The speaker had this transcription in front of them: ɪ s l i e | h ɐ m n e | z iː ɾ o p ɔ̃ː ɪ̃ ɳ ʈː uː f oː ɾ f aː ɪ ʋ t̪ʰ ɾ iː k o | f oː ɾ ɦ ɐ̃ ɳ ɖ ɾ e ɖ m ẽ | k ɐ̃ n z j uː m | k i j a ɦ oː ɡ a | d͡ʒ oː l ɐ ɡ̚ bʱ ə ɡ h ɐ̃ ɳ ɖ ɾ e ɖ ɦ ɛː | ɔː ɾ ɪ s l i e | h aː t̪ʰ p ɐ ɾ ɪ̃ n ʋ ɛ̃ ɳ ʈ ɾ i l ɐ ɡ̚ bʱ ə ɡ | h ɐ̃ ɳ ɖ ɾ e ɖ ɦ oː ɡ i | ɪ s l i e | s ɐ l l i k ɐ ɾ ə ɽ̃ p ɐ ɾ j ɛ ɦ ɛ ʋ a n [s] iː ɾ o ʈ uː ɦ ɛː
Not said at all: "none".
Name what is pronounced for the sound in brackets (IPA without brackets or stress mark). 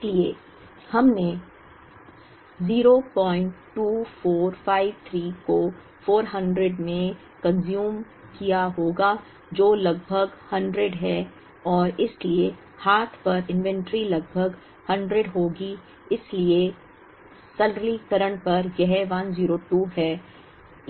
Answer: z